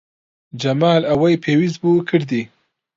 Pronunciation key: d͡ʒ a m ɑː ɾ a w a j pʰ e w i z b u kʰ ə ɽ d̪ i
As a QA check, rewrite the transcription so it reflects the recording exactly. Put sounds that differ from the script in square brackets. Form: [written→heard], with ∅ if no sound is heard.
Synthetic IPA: d͡ʒ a m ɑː [ɾ→l] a w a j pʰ e w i z b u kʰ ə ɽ d̪ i